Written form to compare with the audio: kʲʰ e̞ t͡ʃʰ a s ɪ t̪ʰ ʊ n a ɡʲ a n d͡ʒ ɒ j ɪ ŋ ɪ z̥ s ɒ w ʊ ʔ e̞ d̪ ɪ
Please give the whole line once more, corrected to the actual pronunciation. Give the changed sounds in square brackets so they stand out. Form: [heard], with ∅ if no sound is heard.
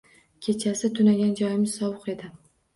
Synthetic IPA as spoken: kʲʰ e̞ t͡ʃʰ a s ɪ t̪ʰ ʊ n a ɡʲ a n d͡ʒ ɒ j ɪ [m] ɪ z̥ s ɒ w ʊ [q] e̞ d̪ ɪ

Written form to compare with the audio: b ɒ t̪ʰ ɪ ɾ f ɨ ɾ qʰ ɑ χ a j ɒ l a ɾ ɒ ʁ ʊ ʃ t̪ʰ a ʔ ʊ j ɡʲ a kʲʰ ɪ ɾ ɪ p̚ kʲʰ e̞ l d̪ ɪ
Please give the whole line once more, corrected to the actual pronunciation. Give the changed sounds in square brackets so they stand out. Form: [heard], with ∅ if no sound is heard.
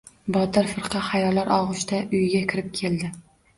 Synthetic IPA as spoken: b ɒ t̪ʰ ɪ ɾ f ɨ ɾ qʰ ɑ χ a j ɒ l a ɾ ɒ ʁ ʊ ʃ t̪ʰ a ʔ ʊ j ɡʲ a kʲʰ ɪ ɾ ɪ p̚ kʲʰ e̞ l d̪ ɪ

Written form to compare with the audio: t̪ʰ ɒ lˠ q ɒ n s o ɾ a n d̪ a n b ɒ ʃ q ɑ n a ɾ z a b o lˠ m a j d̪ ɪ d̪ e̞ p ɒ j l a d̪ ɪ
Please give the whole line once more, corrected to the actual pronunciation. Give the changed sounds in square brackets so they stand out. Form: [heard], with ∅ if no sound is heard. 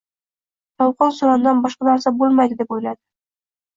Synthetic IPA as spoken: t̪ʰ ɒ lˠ q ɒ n s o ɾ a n d̪ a n b ɒ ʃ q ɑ n a ɾ [s] a b o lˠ m a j d̪ ɪ d̪ e̞ p [o] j l a d̪ ɪ

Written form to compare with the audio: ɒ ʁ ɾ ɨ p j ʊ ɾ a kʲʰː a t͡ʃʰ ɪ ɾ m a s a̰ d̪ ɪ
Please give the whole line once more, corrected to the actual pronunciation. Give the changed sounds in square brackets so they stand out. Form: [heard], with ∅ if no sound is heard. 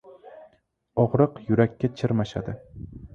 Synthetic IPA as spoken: ɒ ʁ ɾ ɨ [q] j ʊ ɾ a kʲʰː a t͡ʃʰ ɪ ɾ m a [ʃ] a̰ d̪ ɪ

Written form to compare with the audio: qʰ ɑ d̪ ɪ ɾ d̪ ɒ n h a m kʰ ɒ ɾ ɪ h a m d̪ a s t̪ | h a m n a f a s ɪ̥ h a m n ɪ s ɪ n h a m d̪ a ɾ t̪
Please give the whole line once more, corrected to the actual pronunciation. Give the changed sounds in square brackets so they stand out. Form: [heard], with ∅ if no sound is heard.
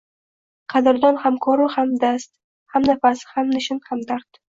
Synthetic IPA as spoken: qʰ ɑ d̪ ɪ ɾ d̪ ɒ n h a m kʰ ɒ ɾ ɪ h a m d̪ a s t̪ | h a m n a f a s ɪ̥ h a m n ɪ [ʃ] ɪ n h a m d̪ a ɾ t̪

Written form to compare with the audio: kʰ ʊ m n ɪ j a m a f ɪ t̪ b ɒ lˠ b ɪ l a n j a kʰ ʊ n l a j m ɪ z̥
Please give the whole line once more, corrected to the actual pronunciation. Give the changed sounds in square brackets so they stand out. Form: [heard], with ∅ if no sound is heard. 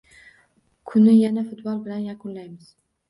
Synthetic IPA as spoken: kʰ ʊ [∅] n ɪ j a [n] a f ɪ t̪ b ɒ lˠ b ɪ l a n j a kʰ ʊ n l a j m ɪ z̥

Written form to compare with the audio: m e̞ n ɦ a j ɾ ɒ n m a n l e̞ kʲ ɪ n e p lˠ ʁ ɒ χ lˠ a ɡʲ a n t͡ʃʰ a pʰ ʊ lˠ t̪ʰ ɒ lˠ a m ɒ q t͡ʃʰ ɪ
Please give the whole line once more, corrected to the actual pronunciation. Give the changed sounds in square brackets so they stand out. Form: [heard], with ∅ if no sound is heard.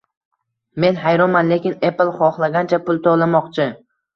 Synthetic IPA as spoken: m e̞ n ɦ a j ɾ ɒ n m a n l e̞ kʲ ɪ n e p lˠ [χ] ɒ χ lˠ a ɡʲ a n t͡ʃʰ a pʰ ʊ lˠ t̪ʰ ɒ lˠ a m ɒ q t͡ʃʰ ɪ

